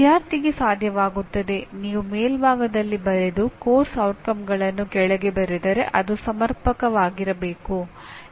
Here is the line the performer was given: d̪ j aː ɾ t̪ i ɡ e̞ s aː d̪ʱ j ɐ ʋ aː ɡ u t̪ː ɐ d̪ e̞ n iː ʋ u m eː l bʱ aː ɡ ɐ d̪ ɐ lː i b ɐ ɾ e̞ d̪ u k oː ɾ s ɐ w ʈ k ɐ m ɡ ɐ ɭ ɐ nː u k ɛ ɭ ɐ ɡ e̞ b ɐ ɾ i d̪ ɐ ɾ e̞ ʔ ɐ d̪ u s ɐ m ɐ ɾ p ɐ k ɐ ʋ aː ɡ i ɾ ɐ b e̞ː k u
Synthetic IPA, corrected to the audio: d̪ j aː ɾ t̪ i ɡ e̞ s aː d̪ʱ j ɐ ʋ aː ɡ u t̪ː ɐ d̪ e̞ n iː ʋ u m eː l bʱ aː ɡ ɐ d̪ ɐ lː i b ɐ ɾ e̞ d̪ u k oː ɾ s ɐ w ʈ k ɐ m ɡ ɐ ɭ ɐ nː u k ɛ ɭ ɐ ɡ e̞ b ɐ ɾ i d̪ ɐ ɾ e̞ ʔ ɐ d̪ u s ɐ m ɐ ɾ p ɐ k ɐ ʋ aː ɡ i ɾ ɐ b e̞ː k u